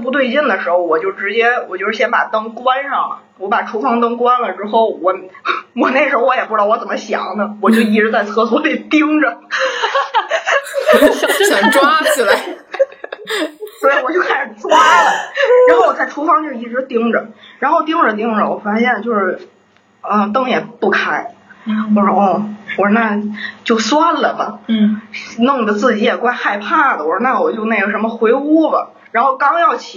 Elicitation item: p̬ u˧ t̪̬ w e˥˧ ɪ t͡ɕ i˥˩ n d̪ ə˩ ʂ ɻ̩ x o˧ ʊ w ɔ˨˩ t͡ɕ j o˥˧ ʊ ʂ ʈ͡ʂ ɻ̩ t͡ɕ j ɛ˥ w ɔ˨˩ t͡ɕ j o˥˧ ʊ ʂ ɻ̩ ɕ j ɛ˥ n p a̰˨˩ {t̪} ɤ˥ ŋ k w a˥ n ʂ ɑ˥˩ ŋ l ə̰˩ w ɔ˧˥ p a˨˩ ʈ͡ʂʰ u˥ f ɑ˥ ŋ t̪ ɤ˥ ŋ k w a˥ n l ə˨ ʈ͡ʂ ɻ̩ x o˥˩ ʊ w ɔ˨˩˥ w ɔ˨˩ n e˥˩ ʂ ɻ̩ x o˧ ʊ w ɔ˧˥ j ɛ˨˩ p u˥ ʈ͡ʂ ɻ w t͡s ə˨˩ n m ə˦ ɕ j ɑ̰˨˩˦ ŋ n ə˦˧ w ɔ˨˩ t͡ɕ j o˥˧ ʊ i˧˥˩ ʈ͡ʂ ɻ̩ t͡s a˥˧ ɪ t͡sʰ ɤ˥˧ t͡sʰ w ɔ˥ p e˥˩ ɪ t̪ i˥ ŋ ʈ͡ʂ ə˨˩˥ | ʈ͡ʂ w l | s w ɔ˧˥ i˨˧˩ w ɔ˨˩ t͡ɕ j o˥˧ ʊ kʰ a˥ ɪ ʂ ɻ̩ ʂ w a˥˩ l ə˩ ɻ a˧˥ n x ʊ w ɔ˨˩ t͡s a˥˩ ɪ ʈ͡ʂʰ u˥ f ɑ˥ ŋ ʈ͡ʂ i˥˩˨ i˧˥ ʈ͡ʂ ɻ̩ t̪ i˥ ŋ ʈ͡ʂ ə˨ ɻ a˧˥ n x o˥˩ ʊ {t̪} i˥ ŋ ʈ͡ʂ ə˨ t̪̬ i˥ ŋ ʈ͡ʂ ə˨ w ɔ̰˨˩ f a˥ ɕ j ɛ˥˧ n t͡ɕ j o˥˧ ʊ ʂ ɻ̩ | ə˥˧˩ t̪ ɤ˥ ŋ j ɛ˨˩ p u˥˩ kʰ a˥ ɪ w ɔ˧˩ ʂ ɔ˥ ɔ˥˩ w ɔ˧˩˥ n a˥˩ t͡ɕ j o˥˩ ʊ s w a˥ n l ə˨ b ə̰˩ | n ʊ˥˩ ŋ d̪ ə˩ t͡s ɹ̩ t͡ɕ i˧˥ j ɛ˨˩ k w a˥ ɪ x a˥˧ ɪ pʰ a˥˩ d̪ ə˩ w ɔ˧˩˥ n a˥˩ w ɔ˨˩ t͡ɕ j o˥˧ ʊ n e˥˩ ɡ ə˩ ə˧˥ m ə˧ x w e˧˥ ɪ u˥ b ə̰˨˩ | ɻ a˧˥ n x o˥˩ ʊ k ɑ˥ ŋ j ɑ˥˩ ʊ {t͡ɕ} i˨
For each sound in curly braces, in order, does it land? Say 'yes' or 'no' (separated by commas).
yes, yes, no